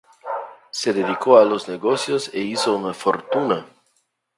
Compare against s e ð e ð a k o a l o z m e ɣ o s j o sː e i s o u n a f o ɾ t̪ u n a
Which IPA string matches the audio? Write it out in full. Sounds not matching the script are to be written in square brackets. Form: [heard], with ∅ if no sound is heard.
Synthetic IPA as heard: s e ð e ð [i] k o a l o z [n] e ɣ o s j o [s] e i s o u n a f o ɾ t̪ u n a